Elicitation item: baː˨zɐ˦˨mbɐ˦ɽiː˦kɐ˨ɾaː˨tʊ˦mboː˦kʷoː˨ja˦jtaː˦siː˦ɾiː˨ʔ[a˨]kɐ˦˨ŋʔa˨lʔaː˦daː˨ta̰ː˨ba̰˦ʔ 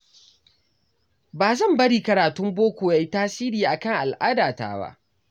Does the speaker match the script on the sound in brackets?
yes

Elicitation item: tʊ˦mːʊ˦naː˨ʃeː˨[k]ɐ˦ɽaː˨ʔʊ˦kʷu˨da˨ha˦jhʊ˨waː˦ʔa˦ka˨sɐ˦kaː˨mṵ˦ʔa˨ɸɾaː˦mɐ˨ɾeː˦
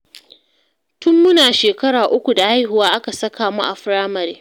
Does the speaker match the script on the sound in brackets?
yes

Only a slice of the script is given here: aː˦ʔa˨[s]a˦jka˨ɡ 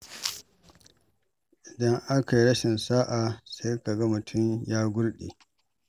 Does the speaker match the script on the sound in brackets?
yes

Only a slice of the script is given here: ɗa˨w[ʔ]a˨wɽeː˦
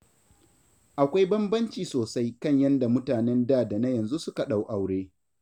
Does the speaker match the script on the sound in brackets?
yes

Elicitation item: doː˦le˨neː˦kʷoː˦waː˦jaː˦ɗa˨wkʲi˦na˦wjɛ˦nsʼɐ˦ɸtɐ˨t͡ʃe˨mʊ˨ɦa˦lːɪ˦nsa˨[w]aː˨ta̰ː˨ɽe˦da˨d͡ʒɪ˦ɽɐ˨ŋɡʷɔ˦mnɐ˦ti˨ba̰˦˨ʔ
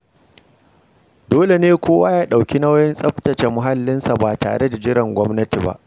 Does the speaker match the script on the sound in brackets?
no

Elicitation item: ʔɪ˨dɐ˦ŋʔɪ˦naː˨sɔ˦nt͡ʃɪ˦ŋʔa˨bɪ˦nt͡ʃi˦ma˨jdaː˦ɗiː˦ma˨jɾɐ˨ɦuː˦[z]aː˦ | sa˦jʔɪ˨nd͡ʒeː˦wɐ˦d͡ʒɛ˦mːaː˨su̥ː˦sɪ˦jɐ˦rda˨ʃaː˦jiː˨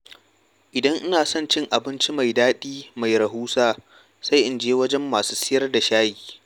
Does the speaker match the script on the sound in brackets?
no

